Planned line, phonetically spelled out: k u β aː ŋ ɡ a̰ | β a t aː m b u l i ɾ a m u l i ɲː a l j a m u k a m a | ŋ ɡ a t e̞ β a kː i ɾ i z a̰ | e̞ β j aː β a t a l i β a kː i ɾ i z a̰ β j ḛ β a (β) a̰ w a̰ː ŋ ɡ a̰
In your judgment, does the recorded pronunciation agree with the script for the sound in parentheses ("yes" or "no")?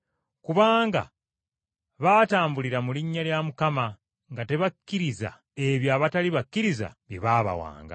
yes